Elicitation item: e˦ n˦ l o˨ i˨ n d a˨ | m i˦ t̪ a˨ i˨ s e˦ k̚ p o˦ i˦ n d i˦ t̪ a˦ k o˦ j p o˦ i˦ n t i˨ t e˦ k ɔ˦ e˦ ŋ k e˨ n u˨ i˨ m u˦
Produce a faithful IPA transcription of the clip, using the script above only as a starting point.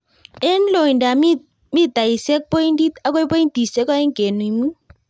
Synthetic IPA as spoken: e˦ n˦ l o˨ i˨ n d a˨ | m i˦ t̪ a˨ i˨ s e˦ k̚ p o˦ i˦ n d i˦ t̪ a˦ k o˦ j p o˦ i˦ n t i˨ s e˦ k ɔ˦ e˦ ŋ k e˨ n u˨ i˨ m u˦